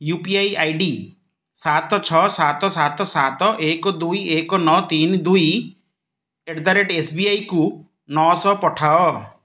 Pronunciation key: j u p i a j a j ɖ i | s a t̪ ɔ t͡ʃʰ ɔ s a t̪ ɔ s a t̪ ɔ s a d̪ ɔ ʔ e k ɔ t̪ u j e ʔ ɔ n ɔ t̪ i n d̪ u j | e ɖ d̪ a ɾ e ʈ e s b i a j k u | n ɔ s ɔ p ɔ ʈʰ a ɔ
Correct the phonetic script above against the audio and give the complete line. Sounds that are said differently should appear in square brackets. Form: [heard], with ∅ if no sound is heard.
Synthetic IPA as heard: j u p i a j a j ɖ i | s a t̪ ɔ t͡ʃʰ ɔ s a t̪ ɔ s a t̪ ɔ s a [t̪] ɔ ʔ e k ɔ [d̪] u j e [k] ɔ n ɔ t̪ i n d̪ u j | e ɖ d̪ a ɾ e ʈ e s b i a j k u | n ɔ s ɔ p ɔ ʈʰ a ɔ